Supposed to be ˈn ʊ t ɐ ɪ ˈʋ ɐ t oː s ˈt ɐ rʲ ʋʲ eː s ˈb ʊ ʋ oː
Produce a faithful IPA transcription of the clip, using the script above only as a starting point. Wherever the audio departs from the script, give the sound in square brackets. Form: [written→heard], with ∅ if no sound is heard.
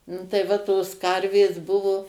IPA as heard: ˈn ʊ t ɐ ɪ ˈʋ ɐ t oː s [ˈt→ˈk] ɐ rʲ ʋʲ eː s ˈb ʊ ʋ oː

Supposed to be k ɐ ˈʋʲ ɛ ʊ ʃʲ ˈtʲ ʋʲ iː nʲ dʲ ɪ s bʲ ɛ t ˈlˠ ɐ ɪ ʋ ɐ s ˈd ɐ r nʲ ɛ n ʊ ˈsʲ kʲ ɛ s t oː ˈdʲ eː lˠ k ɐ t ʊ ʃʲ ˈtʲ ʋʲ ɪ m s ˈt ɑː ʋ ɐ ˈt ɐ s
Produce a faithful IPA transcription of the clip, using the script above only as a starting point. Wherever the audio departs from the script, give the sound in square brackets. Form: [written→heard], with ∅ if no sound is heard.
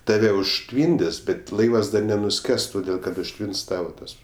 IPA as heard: [k→t] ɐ ˈʋʲ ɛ ʊ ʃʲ ˈtʲ ʋʲ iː nʲ dʲ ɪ s bʲ ɛ t ˈlˠ ɐ ɪ ʋ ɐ s ˈd ɐ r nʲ ɛ n ʊ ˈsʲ kʲ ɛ s t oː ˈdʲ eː lˠ k ɐ t ʊ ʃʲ ˈtʲ ʋʲ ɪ [m→n] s ˈt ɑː ʋ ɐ ˈt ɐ s

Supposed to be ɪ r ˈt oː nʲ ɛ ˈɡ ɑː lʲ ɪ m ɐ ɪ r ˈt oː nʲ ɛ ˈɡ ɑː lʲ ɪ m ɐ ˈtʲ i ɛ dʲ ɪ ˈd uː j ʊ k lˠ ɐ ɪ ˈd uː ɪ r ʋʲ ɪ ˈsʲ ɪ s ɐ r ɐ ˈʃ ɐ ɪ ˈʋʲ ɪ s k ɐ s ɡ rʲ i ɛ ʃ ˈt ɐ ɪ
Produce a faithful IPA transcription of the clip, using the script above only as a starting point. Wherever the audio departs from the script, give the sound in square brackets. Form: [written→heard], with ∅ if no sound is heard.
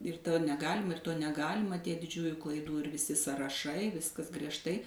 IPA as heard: ɪ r ˈt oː nʲ ɛ ˈɡ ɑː lʲ ɪ m ɐ ɪ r ˈt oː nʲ ɛ ˈɡ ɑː lʲ ɪ m ɐ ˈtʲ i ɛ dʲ ɪ [ˈd→ˈd͡ʒʲ] uː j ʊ k lˠ ɐ ɪ ˈd uː ɪ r ʋʲ ɪ ˈsʲ ɪ s ɐ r ɐ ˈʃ ɐ ɪ ˈʋʲ ɪ s k ɐ s ɡ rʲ i ɛ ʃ ˈt ɐ ɪ

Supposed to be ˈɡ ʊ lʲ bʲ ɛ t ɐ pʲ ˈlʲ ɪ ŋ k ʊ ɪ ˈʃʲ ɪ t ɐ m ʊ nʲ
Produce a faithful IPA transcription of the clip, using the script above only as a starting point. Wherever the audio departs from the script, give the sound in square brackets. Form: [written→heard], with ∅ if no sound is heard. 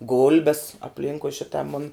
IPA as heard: ˈɡ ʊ lʲ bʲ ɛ [t→s] ɐ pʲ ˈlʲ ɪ ŋ k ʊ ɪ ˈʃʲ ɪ t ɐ m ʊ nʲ

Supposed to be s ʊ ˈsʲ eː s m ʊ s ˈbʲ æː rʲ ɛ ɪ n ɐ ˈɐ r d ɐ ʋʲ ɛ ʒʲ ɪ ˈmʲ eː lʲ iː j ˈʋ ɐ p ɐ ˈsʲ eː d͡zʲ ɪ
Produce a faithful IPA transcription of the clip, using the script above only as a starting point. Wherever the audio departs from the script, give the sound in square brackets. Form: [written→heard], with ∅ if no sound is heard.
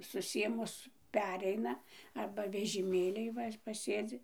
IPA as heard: s ʊ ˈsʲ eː [s→∅] m ʊ s [ˈbʲ→ˈpʲ] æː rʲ ɛ ɪ n ɐ ˈɐ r [d→b] ɐ ʋʲ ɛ ʒʲ ɪ ˈmʲ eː lʲ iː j ˈʋ ɐ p ɐ ˈsʲ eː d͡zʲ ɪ

